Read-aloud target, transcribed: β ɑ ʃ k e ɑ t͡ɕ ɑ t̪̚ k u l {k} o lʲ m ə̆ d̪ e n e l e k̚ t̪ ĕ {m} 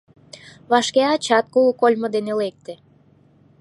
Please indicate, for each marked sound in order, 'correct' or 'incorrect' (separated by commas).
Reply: correct, incorrect